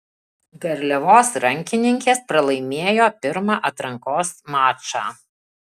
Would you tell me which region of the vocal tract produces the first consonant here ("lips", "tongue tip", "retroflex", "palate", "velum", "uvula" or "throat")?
velum